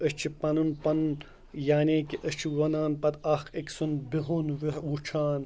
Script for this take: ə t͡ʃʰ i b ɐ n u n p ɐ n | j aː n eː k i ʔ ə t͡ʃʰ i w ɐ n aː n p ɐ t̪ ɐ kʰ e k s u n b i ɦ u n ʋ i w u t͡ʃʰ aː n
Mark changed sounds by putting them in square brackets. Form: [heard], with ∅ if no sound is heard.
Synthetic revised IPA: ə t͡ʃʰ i [p] ɐ n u n p ɐ n | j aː n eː k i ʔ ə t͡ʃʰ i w ɐ n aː n p ɐ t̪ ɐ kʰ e k s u n b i ɦ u n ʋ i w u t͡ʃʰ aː n